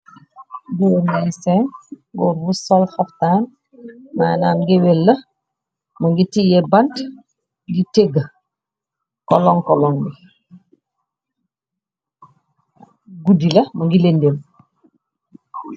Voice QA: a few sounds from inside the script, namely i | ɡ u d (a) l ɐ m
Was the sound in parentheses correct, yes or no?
no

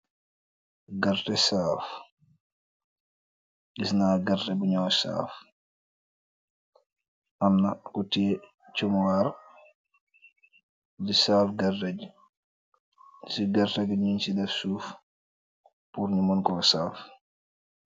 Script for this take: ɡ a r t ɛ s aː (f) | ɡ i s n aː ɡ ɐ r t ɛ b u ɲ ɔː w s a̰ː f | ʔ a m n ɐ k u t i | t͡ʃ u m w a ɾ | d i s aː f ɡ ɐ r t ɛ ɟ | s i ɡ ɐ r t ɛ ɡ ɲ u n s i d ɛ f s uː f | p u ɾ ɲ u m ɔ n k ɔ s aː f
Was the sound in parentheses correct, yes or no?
yes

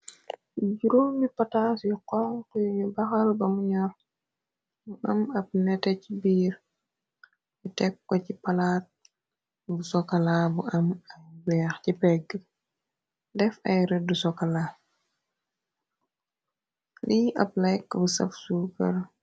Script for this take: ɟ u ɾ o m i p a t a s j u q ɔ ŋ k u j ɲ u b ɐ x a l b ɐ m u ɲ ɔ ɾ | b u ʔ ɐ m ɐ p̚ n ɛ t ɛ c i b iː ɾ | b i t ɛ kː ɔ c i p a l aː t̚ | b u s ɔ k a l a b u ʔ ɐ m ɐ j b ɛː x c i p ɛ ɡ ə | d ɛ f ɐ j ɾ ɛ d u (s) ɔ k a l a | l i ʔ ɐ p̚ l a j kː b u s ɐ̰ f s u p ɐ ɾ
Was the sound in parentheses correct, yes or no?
yes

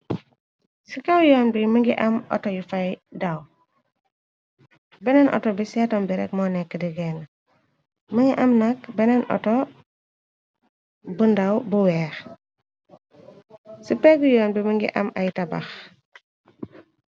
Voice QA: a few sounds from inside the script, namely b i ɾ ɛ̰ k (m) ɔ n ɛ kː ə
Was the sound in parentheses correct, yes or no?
yes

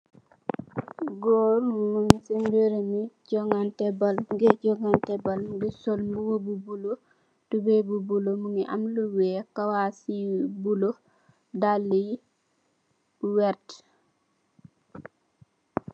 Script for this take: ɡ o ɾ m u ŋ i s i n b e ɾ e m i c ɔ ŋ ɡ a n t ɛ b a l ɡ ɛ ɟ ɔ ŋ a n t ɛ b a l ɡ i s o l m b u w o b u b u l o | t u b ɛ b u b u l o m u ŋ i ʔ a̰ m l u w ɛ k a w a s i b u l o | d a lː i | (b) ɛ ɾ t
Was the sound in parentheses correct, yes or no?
no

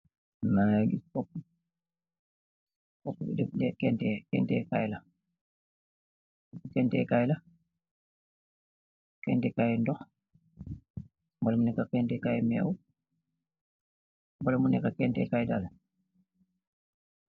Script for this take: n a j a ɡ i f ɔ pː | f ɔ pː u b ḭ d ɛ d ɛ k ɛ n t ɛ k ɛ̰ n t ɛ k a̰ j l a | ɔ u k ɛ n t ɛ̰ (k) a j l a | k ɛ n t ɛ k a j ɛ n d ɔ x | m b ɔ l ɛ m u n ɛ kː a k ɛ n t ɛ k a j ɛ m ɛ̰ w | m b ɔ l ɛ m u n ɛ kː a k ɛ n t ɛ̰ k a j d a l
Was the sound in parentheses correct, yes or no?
yes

